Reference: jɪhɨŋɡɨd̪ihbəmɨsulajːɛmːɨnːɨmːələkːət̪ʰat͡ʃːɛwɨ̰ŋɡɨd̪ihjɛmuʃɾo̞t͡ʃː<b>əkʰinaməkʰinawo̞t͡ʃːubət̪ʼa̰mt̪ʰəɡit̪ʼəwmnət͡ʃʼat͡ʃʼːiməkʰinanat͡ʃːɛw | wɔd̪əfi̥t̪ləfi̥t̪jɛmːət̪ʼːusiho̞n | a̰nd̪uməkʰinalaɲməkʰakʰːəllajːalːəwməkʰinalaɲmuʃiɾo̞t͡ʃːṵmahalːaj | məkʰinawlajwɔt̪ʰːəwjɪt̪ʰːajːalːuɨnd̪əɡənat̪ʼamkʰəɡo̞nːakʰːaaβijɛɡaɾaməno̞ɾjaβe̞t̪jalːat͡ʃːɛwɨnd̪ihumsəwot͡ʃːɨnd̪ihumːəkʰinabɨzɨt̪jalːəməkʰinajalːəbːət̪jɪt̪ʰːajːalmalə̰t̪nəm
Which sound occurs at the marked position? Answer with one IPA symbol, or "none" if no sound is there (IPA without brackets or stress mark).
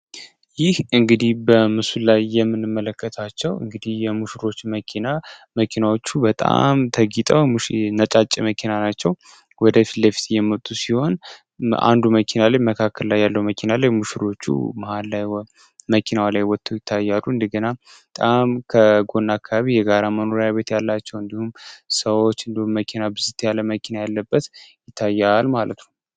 m